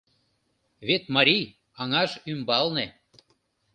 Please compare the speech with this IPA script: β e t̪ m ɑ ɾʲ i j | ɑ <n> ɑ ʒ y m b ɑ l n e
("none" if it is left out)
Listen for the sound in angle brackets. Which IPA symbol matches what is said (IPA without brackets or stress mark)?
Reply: ŋ